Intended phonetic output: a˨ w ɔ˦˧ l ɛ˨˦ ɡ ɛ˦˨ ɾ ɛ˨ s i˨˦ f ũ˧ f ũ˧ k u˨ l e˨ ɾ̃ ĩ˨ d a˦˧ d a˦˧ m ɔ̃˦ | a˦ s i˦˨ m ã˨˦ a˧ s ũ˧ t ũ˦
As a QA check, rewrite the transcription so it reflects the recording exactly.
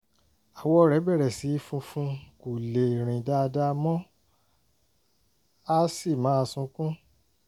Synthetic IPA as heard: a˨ w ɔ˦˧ ɾ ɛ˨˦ b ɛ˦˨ ɾ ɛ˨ s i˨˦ f ũ˧ f ũ˧ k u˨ l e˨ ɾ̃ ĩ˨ d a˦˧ d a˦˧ m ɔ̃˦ | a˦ s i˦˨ m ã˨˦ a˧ s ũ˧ k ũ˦